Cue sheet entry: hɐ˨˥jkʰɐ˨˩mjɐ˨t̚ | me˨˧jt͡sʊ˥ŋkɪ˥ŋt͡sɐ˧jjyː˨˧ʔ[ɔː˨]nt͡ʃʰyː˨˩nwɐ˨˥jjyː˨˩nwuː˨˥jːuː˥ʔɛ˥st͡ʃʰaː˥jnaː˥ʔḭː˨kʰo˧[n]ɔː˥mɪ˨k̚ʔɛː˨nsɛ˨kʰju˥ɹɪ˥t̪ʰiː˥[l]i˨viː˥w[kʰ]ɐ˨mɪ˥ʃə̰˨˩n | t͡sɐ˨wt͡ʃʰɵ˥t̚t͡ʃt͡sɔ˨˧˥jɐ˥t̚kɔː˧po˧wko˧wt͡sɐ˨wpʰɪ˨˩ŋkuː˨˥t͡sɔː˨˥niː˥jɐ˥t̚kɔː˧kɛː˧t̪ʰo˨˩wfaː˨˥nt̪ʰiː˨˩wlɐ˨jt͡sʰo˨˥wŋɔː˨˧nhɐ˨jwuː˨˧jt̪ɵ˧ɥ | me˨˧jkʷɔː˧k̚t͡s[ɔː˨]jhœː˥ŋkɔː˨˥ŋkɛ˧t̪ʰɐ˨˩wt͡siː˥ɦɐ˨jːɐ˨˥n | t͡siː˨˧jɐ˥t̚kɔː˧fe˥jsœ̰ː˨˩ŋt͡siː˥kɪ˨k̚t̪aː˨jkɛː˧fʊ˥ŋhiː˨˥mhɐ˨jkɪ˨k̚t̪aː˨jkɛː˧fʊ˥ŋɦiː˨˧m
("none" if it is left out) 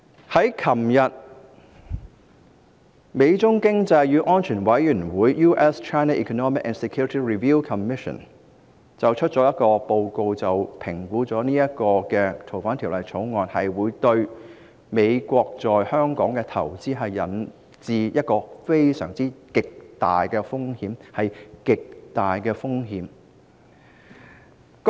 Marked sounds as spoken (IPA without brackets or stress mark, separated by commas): ɔː˥, n, ɹ, kʰ, ɔː˨